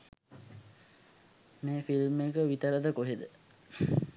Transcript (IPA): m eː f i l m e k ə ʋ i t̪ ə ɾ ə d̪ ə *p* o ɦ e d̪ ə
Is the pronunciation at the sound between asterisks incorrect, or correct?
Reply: incorrect